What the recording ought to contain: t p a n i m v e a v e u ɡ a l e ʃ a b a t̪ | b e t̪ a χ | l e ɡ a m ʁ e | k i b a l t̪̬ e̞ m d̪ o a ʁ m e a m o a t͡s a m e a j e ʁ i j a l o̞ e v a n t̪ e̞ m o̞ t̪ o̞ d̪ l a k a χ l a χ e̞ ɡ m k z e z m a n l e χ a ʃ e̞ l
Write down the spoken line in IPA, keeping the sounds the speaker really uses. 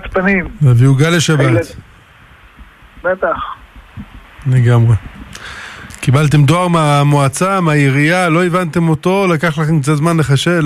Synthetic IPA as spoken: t p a n i m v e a v i u ɡ a l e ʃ a b a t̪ | b e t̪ a χ | l e ɡ a m ʁ e | k i b a l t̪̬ e̞ m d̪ o a ʁ m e a m o a t͡s a m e a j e ʁ i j a l o̞ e v a n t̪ e̞ m o̞ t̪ o̞ l a k a χ l a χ e̞ m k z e z m a n l e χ a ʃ e̞ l